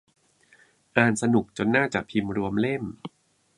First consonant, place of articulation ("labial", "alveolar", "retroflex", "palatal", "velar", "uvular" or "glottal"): glottal